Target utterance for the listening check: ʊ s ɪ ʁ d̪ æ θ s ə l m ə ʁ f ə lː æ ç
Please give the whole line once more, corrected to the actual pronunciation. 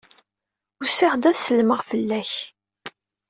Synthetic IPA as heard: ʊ s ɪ ʁ d̪ æ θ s ə l m ə ʁ f ə lː æ ç